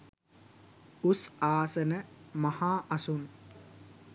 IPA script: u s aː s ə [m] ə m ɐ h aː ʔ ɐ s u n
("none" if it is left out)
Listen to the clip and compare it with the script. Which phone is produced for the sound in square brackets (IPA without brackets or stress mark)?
n